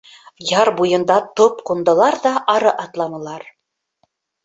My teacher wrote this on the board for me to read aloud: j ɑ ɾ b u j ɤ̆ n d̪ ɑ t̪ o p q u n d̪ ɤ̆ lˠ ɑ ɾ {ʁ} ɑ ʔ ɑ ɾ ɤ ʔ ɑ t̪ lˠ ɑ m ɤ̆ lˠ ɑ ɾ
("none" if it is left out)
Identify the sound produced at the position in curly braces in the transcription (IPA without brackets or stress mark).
ð